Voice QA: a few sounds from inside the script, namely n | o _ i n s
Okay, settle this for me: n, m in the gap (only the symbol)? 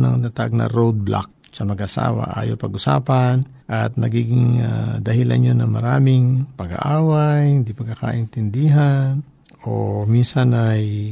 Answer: m